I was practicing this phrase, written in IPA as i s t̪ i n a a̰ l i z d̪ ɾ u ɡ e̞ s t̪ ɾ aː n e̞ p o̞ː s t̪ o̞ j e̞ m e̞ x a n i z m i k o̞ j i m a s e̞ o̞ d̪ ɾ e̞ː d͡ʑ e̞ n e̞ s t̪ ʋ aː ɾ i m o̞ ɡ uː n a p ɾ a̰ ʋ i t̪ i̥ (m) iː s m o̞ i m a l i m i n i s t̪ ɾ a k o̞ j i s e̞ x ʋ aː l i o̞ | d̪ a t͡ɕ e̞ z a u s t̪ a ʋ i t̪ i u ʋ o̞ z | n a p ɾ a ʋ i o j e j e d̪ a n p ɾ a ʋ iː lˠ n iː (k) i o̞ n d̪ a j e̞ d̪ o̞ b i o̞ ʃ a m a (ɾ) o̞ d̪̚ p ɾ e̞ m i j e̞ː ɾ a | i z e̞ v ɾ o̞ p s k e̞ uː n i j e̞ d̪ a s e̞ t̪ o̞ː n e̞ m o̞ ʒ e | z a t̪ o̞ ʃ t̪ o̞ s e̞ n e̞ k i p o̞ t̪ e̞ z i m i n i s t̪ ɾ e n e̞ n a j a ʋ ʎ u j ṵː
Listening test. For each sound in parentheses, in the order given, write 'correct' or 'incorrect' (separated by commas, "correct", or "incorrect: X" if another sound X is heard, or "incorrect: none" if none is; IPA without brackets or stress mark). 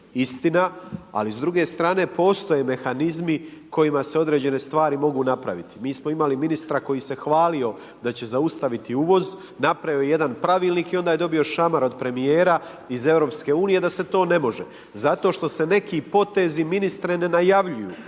correct, correct, correct